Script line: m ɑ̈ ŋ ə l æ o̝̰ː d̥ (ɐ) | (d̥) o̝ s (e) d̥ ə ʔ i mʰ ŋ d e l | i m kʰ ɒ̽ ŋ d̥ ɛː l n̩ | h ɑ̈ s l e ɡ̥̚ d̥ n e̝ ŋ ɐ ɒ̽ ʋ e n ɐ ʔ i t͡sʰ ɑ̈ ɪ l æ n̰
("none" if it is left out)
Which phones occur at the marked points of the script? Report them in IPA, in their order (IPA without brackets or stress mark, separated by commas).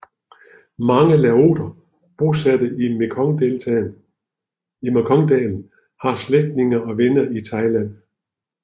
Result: ɐ, b̥, æ